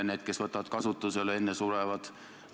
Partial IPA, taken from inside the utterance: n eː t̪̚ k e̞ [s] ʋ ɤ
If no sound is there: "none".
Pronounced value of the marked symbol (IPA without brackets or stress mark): s